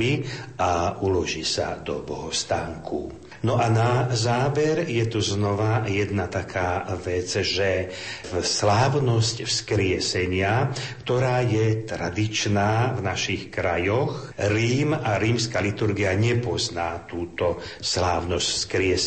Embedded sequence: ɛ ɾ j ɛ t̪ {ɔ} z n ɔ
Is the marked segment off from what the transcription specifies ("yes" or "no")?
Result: yes